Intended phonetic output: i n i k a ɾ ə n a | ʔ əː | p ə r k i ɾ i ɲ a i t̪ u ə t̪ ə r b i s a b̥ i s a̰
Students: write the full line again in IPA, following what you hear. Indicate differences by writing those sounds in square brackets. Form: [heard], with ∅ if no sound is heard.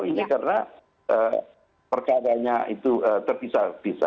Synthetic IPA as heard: i n i k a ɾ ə n a | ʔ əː | p ə r k [a] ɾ [a] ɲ a i t̪ u ə t̪ ə r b i s a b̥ i s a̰